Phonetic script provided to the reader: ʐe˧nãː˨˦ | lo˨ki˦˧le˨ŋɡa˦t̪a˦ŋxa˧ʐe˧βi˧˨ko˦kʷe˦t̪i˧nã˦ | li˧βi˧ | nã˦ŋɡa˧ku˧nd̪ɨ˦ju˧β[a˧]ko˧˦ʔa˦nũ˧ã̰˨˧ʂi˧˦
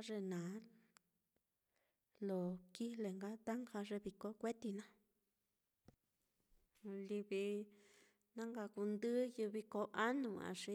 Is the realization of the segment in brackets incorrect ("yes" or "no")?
yes